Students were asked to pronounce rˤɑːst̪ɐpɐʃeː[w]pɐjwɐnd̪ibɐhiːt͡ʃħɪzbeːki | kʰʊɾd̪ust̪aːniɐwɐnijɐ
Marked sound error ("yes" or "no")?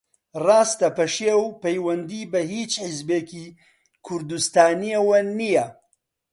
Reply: no